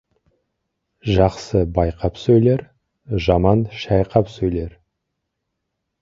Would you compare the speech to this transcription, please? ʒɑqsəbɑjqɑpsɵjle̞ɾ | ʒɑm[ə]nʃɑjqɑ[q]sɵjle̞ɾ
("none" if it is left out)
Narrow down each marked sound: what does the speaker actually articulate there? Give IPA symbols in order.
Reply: ɑ, p

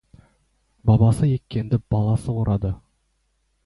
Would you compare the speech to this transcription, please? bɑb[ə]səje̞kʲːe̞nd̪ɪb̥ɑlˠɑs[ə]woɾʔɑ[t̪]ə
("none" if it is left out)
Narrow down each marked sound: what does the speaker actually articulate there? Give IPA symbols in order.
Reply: ɑ, ə, d̪

